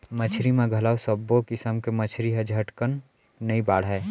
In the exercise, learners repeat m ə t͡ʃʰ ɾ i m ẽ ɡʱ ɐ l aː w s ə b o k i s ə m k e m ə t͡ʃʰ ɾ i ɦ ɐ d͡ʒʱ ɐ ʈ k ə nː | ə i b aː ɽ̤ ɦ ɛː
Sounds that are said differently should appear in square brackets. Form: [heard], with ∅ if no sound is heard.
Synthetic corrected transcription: m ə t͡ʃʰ ɾ i m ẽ ɡʱ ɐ l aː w s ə b o k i s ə m k e m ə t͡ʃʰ ɾ i ɦ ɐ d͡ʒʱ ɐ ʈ k ə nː | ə i b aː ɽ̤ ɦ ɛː